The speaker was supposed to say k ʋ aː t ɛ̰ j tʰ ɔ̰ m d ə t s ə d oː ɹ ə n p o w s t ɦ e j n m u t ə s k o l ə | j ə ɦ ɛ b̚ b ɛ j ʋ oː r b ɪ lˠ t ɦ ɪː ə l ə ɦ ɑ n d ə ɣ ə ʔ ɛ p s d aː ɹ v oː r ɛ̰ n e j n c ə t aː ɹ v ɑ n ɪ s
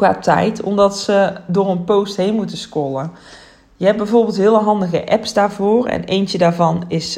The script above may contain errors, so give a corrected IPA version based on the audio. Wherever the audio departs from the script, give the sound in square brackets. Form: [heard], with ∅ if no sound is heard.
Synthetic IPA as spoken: k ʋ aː t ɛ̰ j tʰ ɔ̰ m d [ɑ] t s ə d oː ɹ ə n p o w s t ɦ e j n m u t ə s k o l ə | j ə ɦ ɛ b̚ b ɛ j [v] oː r b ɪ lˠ t ɦ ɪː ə l ə ɦ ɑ n d ə ɣ ə ʔ ɛ p s d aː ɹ v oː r ɛ̰ n e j n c ə [d] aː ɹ v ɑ n ɪ s